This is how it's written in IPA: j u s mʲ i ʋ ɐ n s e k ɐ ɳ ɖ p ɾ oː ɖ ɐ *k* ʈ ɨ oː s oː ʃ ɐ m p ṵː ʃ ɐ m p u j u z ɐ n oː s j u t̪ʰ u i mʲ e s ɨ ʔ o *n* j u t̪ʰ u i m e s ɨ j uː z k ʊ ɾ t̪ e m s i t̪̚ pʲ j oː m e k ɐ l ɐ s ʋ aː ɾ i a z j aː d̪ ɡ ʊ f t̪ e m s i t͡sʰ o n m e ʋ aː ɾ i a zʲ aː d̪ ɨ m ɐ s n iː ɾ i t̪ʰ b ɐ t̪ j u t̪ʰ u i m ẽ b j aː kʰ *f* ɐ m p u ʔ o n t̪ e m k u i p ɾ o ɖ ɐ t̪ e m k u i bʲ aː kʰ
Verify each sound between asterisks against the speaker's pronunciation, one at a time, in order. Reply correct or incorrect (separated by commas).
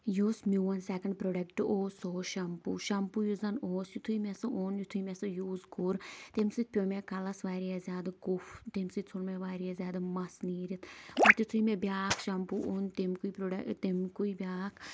correct, correct, incorrect